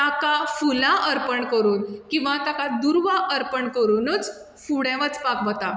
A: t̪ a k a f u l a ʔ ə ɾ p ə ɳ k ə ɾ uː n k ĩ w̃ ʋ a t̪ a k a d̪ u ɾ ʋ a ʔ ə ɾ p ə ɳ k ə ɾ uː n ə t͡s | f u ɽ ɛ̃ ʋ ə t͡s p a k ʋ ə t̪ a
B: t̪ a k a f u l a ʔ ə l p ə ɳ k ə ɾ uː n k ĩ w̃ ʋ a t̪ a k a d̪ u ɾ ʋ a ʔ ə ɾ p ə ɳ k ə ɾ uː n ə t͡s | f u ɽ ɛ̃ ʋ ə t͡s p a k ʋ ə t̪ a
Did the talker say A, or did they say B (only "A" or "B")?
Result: A